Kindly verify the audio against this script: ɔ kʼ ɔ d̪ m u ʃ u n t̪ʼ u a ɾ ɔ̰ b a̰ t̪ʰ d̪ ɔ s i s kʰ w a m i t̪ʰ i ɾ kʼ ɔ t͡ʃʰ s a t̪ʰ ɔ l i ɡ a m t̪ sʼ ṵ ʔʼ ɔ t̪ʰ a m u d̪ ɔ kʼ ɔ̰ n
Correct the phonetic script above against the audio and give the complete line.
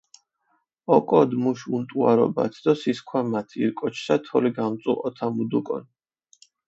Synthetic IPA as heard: ɔ kʼ ɔ d̪ m u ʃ u n t̪ʼ u a ɾ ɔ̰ b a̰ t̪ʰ d̪ ɔ s i s kʰ w a m a t̪ʰ i ɾ kʼ ɔ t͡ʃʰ s a t̪ʰ ɔ l i ɡ a m t̪ sʼ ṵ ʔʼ ɔ t̪ʰ a m u d̪ u kʼ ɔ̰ n

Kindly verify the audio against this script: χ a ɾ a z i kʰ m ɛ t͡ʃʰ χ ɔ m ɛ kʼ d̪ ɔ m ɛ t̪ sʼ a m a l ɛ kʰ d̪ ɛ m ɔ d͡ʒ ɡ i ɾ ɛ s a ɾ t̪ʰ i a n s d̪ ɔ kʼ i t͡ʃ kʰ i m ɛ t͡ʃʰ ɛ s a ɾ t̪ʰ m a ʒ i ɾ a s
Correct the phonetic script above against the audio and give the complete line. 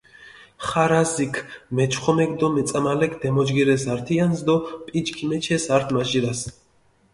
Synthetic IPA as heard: χ a ɾ a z i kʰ m ɛ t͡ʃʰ χ ɔ m ɛ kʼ d̪ ɔ m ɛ t̪ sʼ a m a l ɛ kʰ d̪ ɛ m ɔ d͡ʒ ɡ i ɾ ɛ s a ɾ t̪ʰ i a n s d̪ ɔ pʼ i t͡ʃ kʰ i m ɛ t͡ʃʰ ɛ s a ɾ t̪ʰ m a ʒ i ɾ a s

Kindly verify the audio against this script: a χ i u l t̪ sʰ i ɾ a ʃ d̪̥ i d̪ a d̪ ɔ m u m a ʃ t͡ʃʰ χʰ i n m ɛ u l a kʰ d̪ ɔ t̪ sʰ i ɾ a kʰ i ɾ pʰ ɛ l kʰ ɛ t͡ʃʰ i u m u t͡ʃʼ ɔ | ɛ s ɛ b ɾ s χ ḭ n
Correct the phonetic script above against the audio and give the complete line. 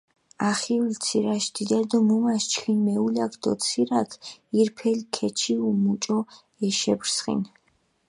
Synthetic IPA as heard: a χ i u l t̪ sʰ i ɾ a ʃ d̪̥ i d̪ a d̪ ɔ m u m a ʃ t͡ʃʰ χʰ i n m ɛ u l a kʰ d̪ ɔ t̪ sʰ i ɾ a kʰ i ɾ pʰ ɛ l kʰ ɛ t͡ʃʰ i u m u t͡ʃʼ ɔ | ɛ ʃ ɛ b ɾ s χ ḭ n

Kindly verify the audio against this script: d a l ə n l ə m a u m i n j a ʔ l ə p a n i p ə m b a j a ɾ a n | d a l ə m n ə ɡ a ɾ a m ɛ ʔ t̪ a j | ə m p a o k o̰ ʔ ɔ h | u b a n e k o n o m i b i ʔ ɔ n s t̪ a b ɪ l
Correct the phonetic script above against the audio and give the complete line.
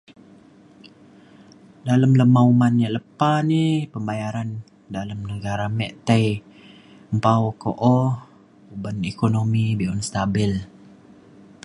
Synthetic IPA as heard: d a l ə m l ə m a u m a n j a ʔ l ə p a n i p ə m b a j a ɾ a n | d a l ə m n ə ɡ a ɾ a m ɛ ʔ t̪ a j | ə m p a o k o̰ ʔ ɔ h | u b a n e k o n o m i b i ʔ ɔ n s t̪ a b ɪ l

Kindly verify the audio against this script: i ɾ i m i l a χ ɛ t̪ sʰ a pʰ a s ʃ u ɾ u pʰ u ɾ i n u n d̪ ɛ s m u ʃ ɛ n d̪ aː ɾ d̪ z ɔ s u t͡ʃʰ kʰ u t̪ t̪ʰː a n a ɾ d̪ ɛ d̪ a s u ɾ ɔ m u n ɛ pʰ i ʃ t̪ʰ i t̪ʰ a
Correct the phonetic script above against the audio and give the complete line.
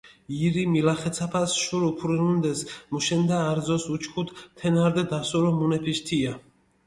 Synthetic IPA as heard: i ɾ i m i l a χ ɛ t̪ sʰ a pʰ a s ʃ u ɾ u pʰ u ɾ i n u n d̪ ɛ s m u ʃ ɛ n d̪ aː ɾ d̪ z ɔ s u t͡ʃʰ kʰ u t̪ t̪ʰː ɛ n a ɾ d̪ ɛ d̪ a s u ɾ ɔ m u n ɛ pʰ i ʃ t̪ʰ i a

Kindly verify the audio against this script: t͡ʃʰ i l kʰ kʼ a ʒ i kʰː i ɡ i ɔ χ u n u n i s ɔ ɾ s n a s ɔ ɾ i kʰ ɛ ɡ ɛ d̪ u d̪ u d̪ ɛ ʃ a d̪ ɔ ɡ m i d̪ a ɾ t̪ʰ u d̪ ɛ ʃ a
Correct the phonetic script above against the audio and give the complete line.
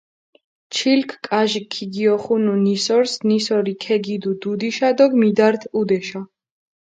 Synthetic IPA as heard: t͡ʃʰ i l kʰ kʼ a ʒ i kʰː i ɡ i ɔ χ u n u n i s ɔ ɾ s n i s ɔ ɾ i kʰ ɛ ɡ i d̪ u d̪ u d̪ i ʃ a d̪ ɔ ɡ m i d̪ a ɾ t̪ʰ u d̪ ɛ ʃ a

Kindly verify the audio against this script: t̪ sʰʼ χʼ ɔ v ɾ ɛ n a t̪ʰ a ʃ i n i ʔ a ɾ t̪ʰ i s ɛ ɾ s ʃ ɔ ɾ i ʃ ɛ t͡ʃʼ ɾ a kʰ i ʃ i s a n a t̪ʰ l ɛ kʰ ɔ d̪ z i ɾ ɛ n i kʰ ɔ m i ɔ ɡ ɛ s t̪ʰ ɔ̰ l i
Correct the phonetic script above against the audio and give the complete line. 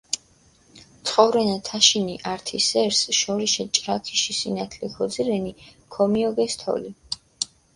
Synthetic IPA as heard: t̪ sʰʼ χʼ ɔ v ɾ ɛ n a t̪ʰ a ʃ i n i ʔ a ɾ t̪ʰ i s ɛ ɾ s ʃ ɔ ɾ i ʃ ɛ t͡ʃʼ ɾ a kʰ i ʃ i s i n a t̪ʰ l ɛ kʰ ɔ d̪ z i ɾ ɛ n i kʰ ɔ m i ɔ ɡ ɛ s t̪ʰ ɔ̰ l i

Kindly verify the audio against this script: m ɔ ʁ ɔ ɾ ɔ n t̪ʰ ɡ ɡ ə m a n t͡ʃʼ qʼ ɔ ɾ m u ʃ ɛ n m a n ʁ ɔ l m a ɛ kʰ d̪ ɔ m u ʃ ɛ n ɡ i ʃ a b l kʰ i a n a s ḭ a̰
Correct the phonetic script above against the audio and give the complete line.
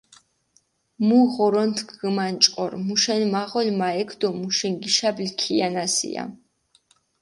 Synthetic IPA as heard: m u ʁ ɔ ɾ ɔ n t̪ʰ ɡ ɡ ə m a n t͡ʃʼ qʼ ɔ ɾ m u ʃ ɛ n m a ʁ ɔ l m a ɛ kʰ d̪ ɔ m u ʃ ɛ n ɡ i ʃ a b l kʰ i a n a s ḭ a̰

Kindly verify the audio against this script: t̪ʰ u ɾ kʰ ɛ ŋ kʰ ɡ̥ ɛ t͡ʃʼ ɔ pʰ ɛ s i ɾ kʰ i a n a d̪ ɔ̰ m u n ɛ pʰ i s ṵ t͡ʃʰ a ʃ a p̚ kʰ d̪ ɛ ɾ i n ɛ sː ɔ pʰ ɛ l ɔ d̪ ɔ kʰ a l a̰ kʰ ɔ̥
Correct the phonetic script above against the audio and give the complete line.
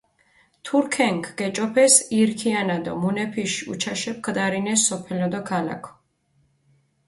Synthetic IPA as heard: t̪ʰ u ɾ kʰ ɛ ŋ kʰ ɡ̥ ɛ t͡ʃʼ ɔ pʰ ɛ s i ɾ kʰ i a n a d̪ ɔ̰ m u n ɛ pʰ i ʃ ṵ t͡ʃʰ a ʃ ɛ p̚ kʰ d̪ a ɾ i n ɛ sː ɔ pʰ ɛ l ɔ d̪ ɔ kʰ a l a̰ kʰ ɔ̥

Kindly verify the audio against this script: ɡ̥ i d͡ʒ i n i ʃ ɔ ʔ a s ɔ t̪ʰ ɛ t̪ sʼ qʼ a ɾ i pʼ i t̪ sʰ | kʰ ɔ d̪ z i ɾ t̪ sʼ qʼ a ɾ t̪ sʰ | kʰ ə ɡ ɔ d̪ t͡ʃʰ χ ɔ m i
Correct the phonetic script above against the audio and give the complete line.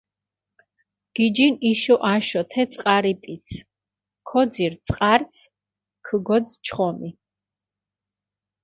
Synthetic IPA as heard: ɡ̥ i d͡ʒ i n i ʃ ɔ ʔ a ʃ ɔ t̪ʰ ɛ t̪ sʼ qʼ a ɾ i pʼ i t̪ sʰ | kʰ ɔ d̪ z i ɾ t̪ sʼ qʼ a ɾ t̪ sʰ | kʰ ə ɡ ɔ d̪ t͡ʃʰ χ ɔ m i

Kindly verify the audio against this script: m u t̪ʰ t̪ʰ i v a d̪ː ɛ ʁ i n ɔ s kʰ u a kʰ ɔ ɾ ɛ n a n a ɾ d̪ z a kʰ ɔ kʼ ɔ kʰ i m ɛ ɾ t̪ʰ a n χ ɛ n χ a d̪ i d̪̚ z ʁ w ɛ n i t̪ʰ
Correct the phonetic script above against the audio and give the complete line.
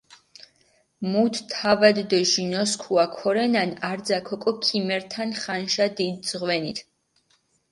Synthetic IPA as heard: m u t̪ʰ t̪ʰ a v a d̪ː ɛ ʒ i n ɔ s kʰ u a kʰ ɔ ɾ ɛ n a n a ɾ d̪ z a kʰ ɔ kʼ ɔ kʰ i m ɛ ɾ t̪ʰ a n χ a n ʃ a d̪ i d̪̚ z ʁ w ɛ n i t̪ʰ

